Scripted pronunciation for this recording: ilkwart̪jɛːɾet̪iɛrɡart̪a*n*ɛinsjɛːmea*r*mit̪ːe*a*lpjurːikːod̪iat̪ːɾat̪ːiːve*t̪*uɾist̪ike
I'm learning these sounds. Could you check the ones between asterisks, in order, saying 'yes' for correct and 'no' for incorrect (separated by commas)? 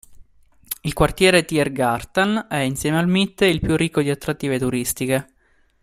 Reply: yes, no, no, yes